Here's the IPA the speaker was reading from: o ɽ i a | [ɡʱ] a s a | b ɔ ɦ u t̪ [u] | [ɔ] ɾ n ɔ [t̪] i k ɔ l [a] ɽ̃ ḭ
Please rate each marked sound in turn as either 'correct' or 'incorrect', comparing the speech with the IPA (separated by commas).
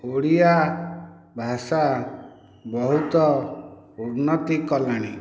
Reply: incorrect, incorrect, incorrect, correct, correct